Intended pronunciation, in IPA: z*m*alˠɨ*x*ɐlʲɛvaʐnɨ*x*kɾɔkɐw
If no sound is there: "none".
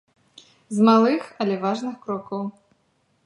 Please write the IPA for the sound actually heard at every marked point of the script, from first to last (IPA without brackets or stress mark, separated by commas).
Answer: m, x, x